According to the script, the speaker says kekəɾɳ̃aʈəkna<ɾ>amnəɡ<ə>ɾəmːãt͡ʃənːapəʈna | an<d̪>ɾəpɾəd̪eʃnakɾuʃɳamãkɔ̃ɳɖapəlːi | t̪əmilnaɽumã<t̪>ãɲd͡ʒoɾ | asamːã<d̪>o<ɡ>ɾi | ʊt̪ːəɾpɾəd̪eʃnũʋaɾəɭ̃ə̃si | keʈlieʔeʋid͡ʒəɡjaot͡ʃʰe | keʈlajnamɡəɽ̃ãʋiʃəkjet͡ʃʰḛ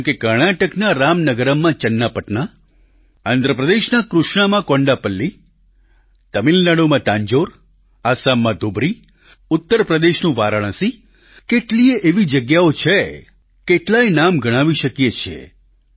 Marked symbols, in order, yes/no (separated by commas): yes, yes, yes, yes, yes, no